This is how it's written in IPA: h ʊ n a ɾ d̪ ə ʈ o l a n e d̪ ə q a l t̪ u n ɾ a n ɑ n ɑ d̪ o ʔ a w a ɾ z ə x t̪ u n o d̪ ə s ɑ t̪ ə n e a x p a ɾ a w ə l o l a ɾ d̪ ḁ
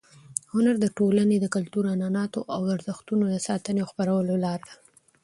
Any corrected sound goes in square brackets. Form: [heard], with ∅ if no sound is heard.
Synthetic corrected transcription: h ʊ n a ɾ d̪ ə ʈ o l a n e d̪ ə [k] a l t̪ u [∅] ɾ a n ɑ n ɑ [t̪] o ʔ a w a ɾ z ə x t̪ u n o d̪ ə s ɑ t̪ ə n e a x p a ɾ a w ə l o l [ɑ] ɾ d̪ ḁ